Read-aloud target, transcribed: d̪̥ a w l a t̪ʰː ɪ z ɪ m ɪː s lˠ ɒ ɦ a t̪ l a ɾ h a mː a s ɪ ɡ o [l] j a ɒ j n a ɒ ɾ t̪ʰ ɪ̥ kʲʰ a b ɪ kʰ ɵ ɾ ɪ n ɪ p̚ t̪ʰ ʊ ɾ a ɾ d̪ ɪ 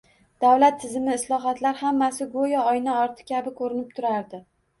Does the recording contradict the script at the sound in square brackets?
yes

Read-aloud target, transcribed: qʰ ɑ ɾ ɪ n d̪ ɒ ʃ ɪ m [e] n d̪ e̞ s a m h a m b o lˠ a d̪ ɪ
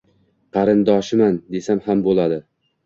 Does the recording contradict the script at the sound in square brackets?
yes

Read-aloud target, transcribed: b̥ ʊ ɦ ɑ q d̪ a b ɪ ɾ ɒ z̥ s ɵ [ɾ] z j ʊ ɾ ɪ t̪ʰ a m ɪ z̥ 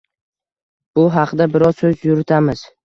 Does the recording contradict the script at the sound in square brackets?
yes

